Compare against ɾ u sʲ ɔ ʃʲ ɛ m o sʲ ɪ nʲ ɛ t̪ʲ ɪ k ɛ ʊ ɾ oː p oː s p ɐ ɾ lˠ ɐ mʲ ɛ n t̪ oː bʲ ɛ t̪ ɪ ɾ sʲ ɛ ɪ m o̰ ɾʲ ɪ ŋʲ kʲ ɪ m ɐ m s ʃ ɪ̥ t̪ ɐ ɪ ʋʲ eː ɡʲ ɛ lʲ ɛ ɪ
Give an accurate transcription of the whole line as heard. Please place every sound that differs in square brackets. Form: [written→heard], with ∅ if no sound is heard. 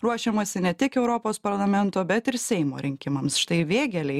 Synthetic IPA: ɾ u [sʲ→∅] ɔ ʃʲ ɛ m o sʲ ɪ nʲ ɛ t̪ʲ ɪ k ɛ ʊ ɾ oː p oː s p ɐ ɾ lˠ ɐ mʲ ɛ n t̪ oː bʲ ɛ t̪ ɪ ɾ sʲ ɛ ɪ m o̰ ɾʲ ɪ ŋʲ kʲ ɪ m ɐ m s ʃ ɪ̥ t̪ ɐ ɪ ʋʲ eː ɡʲ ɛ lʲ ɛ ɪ